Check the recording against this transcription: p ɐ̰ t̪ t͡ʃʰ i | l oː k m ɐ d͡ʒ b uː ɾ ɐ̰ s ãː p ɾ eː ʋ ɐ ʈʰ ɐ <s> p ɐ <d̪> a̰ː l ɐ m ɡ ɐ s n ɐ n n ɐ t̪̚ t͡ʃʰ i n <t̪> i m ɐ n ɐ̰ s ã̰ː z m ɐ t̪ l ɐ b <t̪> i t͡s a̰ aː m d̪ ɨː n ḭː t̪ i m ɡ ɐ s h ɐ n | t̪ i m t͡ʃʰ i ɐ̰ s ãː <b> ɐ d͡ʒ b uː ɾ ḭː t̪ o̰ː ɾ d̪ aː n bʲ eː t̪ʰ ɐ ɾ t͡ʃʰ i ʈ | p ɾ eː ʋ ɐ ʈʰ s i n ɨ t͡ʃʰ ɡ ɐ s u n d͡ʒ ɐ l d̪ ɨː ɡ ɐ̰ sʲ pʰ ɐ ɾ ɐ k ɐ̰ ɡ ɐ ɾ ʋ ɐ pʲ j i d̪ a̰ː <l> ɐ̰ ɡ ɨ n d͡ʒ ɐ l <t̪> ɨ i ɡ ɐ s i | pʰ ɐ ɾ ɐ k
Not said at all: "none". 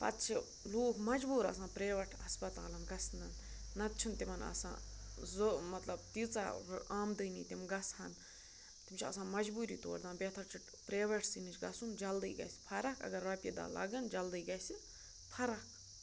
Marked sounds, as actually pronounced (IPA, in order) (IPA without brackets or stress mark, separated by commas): s, t̪, t̪, t̪, m, l, d̪